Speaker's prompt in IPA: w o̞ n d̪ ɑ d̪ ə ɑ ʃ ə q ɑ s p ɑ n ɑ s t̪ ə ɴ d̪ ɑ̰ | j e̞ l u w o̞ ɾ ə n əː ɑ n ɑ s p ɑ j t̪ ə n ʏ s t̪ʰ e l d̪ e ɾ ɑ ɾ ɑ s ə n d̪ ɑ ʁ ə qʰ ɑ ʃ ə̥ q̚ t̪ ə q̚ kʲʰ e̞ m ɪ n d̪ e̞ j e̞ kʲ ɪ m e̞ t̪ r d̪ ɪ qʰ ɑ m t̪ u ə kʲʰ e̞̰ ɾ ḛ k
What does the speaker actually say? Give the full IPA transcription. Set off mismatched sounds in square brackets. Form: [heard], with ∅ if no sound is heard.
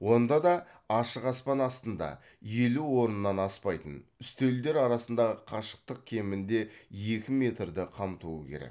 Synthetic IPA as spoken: w o̞ n d̪ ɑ d̪ [ɑ] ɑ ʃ ə q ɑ s p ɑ n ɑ s t̪ ə [n] d̪ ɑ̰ | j e̞ l u w o̞ ɾ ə n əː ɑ n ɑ s p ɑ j t̪ ə n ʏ s [t̪] e l d̪ e ɾ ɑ ɾ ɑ s ə n d̪ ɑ ʁ ə qʰ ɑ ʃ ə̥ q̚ t̪ ə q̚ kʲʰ e̞ m ɪ n d̪ e̞ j e̞ kʲ ɪ m e̞ t̪ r d̪ ɪ qʰ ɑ m t̪ u ə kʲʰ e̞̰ ɾ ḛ k

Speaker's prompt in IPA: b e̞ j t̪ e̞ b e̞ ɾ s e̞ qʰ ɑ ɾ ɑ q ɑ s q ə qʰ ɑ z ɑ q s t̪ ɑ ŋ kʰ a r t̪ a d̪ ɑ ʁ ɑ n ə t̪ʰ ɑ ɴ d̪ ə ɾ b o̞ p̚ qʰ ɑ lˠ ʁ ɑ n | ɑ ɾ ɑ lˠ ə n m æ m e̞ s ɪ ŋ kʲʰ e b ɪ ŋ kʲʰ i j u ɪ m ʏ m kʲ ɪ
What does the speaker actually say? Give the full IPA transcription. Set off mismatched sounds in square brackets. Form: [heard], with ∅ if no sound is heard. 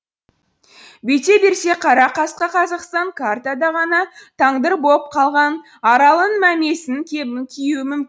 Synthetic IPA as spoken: b e̞ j t̪ e̞ b e̞ ɾ s e̞ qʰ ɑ ɾ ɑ q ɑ s q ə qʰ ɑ z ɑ q s t̪ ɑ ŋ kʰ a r t̪ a d̪ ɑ ʁ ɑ n [ɑ] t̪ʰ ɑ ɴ d̪ ə ɾ b o̞ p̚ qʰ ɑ lˠ ʁ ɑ n | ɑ ɾ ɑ lˠ ə n m æ m e̞ s ɪ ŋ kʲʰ e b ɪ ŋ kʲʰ i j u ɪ m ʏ m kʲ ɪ

